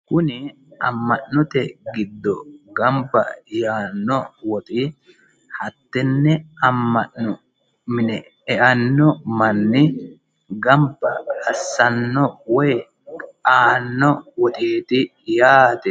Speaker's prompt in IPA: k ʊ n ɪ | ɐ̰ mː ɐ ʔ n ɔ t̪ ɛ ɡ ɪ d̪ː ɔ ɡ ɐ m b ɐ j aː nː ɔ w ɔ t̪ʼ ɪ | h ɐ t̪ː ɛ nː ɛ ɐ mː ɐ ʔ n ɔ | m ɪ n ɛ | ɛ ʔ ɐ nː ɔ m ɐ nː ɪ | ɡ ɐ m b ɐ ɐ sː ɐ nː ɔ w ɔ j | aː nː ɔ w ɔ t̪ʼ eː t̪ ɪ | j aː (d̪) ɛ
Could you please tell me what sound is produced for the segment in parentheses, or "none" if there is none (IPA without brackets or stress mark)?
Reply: t̪